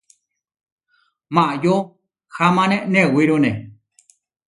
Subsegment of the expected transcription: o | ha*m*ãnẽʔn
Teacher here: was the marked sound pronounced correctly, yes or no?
yes